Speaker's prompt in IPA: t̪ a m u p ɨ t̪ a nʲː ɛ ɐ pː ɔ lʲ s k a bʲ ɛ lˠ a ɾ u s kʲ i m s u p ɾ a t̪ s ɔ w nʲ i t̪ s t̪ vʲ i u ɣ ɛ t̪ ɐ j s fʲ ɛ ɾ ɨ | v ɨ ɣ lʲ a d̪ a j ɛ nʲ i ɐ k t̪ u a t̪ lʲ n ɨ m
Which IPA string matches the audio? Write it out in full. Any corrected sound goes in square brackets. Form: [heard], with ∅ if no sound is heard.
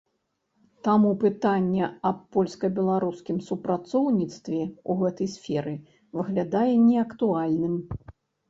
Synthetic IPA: t̪ a m u p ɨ t̪ a nʲː ɛ ɐ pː ɔ lʲ s k [ɐ] bʲ ɛ lˠ a ɾ u s kʲ i m s u p ɾ a t̪ s ɔ w nʲ i t̪ s t̪ vʲ [ɛ] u ɣ ɛ t̪ ɐ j s fʲ ɛ ɾ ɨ | v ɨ ɣ lʲ a d̪ a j ɛ nʲ [ɛ] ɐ k t̪ u a [∅] lʲ n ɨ m